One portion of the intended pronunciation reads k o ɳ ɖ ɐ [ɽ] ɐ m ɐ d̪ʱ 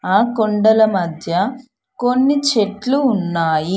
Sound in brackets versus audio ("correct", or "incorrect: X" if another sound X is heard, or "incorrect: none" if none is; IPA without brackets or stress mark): incorrect: l